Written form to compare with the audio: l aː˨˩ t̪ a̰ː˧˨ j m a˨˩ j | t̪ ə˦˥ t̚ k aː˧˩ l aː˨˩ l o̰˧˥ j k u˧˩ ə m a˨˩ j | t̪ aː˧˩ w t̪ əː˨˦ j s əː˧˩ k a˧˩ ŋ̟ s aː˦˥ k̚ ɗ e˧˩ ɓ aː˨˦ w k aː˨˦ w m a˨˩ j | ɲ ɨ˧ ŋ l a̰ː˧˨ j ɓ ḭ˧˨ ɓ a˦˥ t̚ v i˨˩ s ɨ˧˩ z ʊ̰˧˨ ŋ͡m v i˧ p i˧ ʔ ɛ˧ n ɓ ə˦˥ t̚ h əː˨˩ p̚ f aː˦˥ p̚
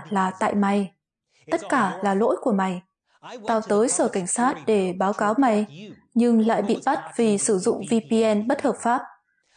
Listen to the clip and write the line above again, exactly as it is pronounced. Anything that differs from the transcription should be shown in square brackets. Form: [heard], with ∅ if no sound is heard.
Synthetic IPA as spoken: l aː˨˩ t̪ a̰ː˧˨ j m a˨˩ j | t̪ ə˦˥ t̚ k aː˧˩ l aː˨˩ l o̰˧˥ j k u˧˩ ə m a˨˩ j | t̪ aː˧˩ w t̪ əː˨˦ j s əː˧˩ k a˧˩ ŋ̟ s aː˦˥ [t̚] ɗ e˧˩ ɓ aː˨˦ w k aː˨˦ w m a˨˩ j | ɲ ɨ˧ ŋ l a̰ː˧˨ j ɓ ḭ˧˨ ɓ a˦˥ t̚ v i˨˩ s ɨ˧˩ z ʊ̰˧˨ ŋ͡m v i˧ p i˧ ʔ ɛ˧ n ɓ ə˦˥ t̚ h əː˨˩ p̚ f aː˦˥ p̚